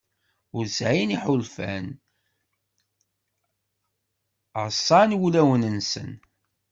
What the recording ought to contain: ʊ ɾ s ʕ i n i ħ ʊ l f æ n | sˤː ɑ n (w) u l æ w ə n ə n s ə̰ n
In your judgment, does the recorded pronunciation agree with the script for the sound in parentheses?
yes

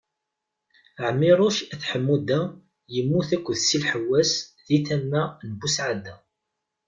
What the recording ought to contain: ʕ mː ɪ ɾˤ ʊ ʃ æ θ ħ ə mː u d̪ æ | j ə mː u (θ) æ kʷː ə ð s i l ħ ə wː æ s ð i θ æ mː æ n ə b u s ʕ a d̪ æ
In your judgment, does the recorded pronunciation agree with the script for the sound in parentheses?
yes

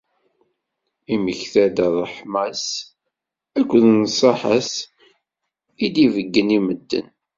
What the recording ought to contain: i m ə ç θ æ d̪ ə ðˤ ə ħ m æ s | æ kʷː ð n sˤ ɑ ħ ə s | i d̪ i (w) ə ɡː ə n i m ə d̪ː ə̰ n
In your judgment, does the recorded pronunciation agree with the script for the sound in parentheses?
no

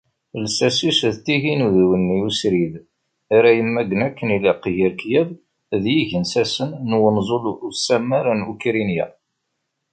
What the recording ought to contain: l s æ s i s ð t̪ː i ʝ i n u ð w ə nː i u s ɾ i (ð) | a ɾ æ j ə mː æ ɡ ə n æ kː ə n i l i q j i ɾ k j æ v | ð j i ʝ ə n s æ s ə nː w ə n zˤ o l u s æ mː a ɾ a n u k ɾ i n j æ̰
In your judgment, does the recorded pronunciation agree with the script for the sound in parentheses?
yes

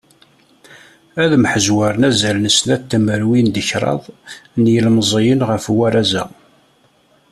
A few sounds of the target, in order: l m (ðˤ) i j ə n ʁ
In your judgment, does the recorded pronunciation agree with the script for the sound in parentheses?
no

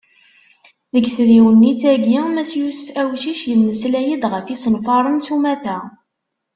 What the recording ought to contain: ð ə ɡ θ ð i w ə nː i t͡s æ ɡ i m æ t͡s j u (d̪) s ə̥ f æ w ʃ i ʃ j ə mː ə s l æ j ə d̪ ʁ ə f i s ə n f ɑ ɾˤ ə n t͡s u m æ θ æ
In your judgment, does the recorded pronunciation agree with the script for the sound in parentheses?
no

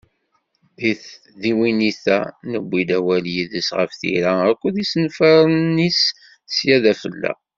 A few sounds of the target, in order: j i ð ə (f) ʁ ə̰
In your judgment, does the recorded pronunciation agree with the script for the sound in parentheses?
no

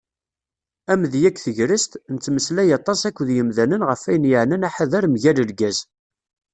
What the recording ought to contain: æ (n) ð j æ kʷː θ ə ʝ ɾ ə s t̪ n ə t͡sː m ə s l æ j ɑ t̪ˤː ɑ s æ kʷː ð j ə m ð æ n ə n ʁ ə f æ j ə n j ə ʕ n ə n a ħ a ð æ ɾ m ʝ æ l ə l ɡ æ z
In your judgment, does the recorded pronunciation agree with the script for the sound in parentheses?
no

